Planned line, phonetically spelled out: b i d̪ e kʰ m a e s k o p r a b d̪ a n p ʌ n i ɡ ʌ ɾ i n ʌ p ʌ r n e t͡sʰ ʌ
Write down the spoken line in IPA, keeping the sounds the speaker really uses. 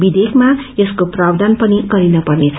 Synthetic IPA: b i d̪ e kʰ m a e s k o p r a b d̪ a n p ʌ n i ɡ ʌ ɾ i n ʌ p ʌ r n e t͡sʰ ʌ